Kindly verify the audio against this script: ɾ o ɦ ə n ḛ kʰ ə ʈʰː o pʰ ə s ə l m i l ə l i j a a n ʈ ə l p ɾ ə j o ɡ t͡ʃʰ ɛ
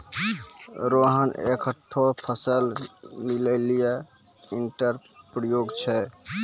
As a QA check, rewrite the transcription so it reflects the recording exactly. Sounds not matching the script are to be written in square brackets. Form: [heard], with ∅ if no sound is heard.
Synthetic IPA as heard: ɾ o ɦ ə n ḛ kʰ ə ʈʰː o pʰ ə s ə l m i l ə l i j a [i] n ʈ ə [ɾ] p ɾ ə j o ɡ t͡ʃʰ ɛ